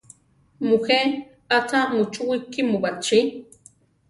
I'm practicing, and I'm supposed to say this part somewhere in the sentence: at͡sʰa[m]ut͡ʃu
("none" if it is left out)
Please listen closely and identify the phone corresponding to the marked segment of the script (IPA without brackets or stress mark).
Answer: m